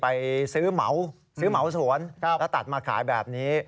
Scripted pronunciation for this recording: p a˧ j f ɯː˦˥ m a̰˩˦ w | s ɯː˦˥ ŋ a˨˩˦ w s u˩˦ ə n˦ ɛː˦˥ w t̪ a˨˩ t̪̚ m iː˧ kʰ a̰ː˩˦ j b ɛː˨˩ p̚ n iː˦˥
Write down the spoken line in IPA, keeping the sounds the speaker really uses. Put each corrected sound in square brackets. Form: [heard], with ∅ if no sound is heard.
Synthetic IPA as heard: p a˧ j [s] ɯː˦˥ m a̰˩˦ w | s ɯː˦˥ [m] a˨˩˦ w s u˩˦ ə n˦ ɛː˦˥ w t̪ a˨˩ t̪̚ m [aː˧] kʰ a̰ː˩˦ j b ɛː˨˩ p̚ n iː˦˥